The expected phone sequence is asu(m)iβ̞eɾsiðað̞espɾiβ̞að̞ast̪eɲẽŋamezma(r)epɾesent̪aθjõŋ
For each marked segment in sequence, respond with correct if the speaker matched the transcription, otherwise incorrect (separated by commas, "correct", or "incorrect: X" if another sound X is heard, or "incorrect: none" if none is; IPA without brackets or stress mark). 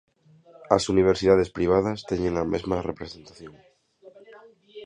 incorrect: n, correct